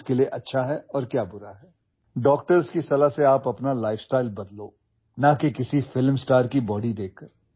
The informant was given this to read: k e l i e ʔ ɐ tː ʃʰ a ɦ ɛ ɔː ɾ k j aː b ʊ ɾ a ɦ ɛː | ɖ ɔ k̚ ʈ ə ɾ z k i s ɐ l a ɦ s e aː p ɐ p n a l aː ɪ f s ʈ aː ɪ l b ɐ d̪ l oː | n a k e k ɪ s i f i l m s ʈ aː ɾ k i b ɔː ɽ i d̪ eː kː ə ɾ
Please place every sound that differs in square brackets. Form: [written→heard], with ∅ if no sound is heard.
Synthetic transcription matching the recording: k e l i e ʔ ɐ tː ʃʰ a ɦ ɛ ɔː ɾ k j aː b ʊ ɾ a ɦ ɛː | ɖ [ɔ→ɔː] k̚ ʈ ə ɾ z k i s ɐ l a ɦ s e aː p ɐ p n a l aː ɪ f s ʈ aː ɪ l b ɐ d̪ l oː | n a k e k ɪ s i f [i→ɪ] l m s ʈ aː ɾ k i b ɔː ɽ i d̪ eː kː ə ɾ

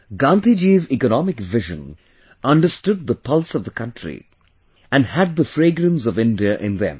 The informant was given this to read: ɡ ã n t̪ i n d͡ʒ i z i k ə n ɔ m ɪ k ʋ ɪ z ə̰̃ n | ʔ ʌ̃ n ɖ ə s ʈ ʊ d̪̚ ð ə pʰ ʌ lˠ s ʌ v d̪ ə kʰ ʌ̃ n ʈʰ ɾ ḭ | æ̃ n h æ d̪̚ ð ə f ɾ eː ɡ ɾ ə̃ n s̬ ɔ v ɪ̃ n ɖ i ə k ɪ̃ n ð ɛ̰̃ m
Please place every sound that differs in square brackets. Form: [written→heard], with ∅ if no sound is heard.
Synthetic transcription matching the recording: ɡ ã n t̪ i [n→∅] d͡ʒ i z i k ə n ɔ m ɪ k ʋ ɪ [z→ʒ] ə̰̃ n | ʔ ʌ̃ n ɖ ə s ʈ ʊ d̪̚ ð ə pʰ ʌ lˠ s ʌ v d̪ ə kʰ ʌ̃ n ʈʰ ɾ ḭ | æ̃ n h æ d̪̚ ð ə f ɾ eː ɡ ɾ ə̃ n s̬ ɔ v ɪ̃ n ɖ i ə [k→ʔ] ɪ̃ n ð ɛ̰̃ m

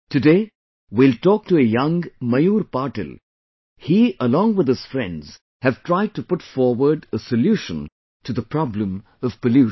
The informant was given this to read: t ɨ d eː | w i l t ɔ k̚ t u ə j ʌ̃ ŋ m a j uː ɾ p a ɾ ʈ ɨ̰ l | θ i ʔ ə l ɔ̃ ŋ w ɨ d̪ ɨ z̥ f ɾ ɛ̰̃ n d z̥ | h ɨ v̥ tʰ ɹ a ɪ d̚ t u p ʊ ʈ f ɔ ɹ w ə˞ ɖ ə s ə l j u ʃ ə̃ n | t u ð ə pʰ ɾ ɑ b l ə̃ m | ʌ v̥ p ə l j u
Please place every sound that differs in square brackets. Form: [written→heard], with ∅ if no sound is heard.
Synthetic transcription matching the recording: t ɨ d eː | w i l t ɔ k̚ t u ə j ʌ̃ ŋ m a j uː ɾ p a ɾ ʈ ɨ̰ l | [θ→h] i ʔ ə l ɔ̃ ŋ w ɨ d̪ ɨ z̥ f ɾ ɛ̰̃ n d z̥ | h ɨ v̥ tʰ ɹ a ɪ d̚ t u p ʊ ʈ f ɔ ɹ w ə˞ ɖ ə s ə l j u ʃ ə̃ n | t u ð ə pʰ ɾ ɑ b l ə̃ m | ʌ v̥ p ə l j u

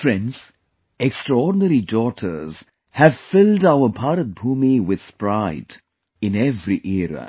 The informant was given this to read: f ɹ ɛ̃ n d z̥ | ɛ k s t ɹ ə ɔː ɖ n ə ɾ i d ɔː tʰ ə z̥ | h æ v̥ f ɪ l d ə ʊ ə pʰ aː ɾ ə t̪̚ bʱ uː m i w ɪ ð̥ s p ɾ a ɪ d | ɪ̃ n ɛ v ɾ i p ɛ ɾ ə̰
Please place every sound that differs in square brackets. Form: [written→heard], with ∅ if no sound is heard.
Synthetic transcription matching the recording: f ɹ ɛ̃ n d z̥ | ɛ k s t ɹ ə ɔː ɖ n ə ɾ i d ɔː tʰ ə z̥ | h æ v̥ f ɪ l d [ə→a] ʊ ə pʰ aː ɾ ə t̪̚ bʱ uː m i w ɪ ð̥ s p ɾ a ɪ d | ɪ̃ n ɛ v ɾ i [p→ʔ] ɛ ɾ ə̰

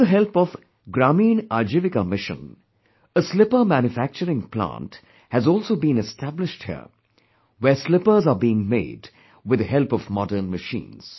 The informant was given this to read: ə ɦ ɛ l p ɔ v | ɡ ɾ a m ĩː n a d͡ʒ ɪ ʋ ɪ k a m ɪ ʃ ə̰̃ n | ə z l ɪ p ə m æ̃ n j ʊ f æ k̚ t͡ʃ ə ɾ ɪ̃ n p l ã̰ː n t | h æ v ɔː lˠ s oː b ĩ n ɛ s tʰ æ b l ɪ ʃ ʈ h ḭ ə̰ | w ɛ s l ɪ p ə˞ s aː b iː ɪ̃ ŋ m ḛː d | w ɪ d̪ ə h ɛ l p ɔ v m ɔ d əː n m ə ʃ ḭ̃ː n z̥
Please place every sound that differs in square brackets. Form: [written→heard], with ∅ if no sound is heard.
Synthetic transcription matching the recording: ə ɦ ɛ l p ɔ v | ɡ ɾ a m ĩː n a d͡ʒ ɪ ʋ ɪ k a m ɪ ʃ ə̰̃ n | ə [z→s] l ɪ p ə m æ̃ n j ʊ f æ k̚ t͡ʃ ə ɾ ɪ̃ [n→ŋ] p l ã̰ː n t | h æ [v→z] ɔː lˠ s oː b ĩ n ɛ s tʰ æ b l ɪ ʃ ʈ h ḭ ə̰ | w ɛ s l ɪ p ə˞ [s→z] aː b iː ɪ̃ ŋ m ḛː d | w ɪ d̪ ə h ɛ l p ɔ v m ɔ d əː n m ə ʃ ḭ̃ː n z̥

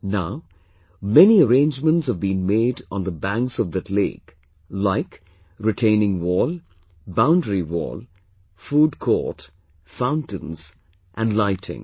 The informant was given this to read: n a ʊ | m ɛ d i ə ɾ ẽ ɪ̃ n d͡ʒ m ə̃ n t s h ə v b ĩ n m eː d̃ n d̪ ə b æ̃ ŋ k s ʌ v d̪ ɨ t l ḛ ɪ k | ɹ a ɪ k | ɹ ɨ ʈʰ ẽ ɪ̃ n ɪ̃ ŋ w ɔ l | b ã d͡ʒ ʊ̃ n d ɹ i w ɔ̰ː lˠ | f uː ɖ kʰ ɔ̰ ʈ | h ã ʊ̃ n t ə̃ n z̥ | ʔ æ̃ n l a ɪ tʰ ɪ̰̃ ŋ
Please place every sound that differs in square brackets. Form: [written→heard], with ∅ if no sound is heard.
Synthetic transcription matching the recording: n a ʊ | m ɛ [d→n] i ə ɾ ẽ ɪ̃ n d͡ʒ m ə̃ n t s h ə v b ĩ n m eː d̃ n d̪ ə b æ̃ ŋ k s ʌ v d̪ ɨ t l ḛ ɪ k | [ɹ→l] a ɪ k | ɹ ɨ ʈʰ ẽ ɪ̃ n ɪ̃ ŋ w ɔ l | b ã [d͡ʒ→∅] ʊ̃ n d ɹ i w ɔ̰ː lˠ | f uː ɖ kʰ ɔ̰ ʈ | [h→f] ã ʊ̃ n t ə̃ n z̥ | ʔ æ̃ n l a ɪ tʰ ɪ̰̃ ŋ

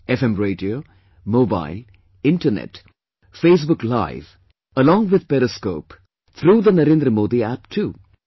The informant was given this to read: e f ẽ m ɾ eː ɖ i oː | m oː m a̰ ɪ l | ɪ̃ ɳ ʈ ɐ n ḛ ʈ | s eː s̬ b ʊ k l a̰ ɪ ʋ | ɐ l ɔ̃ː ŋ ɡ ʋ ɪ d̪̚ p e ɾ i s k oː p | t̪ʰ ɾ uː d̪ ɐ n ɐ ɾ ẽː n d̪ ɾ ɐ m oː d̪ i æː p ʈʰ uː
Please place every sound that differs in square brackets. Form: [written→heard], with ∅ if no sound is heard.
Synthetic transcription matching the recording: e f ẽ m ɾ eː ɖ i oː | m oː [m→b] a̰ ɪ l | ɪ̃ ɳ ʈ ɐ n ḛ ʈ | [s→f] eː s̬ b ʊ k l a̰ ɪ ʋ | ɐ l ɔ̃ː ŋ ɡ ʋ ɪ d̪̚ p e ɾ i s k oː p | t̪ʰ ɾ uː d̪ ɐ n ɐ ɾ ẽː n d̪ ɾ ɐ m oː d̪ i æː p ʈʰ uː

